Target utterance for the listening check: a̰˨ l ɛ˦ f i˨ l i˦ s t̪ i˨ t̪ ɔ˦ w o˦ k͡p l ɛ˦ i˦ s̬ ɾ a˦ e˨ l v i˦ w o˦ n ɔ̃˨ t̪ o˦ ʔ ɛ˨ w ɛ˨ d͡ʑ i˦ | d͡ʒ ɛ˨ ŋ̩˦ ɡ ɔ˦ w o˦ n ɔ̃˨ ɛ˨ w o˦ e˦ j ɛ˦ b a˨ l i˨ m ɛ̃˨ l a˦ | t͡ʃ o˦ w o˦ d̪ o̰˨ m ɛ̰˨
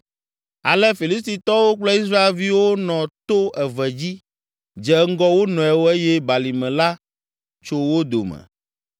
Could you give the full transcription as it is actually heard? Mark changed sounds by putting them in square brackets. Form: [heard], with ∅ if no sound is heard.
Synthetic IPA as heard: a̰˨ l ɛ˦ f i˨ l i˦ s t̪ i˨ t̪ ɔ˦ w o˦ k͡p l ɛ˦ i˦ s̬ ɾ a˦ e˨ l v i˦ w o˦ n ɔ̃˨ t̪ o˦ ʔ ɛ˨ [v] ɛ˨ d͡ʑ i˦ | d͡ʒ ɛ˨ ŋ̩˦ ɡ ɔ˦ w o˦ n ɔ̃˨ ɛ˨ w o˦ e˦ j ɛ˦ b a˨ l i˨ m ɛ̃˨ l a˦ | t͡ʃ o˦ w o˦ d̪ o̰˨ m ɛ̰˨